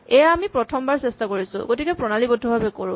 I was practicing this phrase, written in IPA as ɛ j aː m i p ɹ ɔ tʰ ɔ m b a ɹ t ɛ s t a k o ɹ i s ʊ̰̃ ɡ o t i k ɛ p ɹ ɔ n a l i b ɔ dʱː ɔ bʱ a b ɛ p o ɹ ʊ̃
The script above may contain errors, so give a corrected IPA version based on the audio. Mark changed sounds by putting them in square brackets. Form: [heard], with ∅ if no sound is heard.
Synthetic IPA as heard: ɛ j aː m i p ɹ ɔ tʰ ɔ m b a ɹ [s] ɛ s t a k o ɹ i s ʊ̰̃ ɡ o t i k ɛ p ɹ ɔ n a l i b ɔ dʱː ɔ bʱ a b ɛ [k] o ɹ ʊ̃